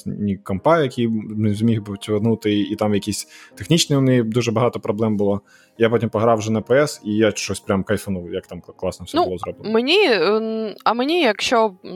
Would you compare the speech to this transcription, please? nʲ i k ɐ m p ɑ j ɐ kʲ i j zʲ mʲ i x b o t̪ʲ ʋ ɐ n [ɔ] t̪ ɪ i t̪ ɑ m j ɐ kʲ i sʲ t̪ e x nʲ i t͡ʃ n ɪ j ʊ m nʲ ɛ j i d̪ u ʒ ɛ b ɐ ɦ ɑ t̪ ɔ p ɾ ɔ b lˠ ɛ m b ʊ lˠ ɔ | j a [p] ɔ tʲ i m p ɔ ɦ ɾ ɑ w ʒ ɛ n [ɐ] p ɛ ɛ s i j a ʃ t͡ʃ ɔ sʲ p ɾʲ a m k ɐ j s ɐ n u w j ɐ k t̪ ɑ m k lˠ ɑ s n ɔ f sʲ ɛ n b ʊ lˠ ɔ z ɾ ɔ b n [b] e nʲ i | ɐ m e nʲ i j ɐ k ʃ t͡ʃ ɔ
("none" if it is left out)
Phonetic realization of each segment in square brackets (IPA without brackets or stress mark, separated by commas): u, p, ɐ, m